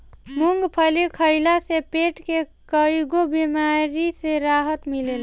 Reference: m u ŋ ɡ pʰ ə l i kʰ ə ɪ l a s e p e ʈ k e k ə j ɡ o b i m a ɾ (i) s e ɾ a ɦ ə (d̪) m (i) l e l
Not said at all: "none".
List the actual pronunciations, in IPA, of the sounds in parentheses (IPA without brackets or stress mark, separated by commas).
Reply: i, t̪, i